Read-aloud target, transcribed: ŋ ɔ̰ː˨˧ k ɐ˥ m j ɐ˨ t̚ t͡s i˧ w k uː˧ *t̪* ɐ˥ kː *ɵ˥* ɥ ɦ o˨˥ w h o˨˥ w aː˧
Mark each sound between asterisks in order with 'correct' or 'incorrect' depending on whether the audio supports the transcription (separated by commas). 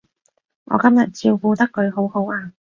correct, incorrect